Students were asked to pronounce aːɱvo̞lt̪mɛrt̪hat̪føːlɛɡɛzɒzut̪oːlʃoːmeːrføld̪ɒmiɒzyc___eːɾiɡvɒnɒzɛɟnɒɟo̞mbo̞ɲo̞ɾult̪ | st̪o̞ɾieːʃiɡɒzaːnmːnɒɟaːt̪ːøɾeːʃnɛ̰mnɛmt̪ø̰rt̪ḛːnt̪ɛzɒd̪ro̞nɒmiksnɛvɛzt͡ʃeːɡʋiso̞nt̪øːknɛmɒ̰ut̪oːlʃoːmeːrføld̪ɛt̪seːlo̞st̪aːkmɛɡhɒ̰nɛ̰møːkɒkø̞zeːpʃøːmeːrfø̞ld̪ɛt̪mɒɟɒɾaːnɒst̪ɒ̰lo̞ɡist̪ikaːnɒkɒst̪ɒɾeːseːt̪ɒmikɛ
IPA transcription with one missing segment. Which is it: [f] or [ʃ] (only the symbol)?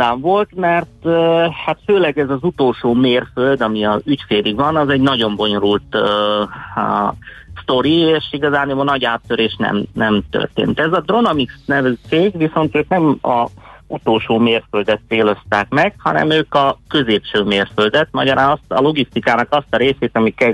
f